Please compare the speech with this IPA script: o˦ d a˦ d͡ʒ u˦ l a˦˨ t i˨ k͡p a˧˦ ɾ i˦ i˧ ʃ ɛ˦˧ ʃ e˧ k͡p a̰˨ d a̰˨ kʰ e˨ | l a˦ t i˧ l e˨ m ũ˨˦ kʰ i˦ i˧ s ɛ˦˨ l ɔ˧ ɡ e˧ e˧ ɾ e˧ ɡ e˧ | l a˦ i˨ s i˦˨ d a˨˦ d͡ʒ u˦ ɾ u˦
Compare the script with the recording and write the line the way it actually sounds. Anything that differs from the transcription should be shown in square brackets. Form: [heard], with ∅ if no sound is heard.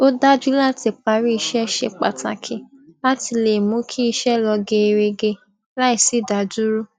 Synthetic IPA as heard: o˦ d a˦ d͡ʒ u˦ l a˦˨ t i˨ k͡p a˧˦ ɾ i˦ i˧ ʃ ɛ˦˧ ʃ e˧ k͡p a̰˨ [t] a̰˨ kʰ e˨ | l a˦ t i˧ l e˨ m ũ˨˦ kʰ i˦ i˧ [ʃ] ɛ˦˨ l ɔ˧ ɡ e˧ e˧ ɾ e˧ ɡ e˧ | l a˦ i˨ s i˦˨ d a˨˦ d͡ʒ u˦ ɾ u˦